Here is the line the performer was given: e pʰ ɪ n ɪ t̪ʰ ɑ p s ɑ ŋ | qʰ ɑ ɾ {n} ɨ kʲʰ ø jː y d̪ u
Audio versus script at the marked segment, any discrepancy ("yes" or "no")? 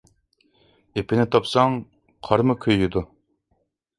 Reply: yes